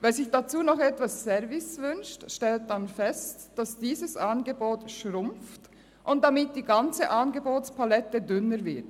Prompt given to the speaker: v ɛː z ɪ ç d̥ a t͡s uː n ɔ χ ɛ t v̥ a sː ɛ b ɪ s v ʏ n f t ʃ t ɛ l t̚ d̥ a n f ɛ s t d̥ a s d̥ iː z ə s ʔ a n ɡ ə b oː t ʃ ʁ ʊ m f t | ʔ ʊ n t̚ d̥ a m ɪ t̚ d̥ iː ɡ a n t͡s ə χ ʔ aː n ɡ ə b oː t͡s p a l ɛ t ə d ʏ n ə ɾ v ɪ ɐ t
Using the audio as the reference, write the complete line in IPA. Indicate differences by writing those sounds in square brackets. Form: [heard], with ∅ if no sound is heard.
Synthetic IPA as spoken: v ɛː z ɪ ç d̥ a t͡s uː n ɔ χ ɛ t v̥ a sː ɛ [v] ɪ s v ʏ n [ʃ] t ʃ t ɛ l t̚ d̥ a n f ɛ s t d̥ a s d̥ iː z ə s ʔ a n ɡ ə b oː t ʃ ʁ ʊ m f t | ʔ ʊ n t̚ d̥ a m ɪ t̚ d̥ iː ɡ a n t͡s ə [∅] ʔ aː n ɡ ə b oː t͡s p a l ɛ t ə d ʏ n ə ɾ v ɪ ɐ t